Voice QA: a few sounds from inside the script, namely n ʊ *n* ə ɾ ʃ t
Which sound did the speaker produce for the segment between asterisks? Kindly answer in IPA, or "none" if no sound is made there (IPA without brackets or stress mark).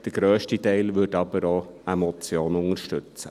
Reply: ŋ